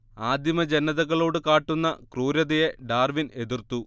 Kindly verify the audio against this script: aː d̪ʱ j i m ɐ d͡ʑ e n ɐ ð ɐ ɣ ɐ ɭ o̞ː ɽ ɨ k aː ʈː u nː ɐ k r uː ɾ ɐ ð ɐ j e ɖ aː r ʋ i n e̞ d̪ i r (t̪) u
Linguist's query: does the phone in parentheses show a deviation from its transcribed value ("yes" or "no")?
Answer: no